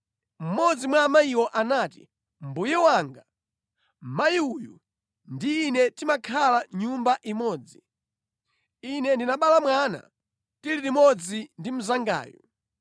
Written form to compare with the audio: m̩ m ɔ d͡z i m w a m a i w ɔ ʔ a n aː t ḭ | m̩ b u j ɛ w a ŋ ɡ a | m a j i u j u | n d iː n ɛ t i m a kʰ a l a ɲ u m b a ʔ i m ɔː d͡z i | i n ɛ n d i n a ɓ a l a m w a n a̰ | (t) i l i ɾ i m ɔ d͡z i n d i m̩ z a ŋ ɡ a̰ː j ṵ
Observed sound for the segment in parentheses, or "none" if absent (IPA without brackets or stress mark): t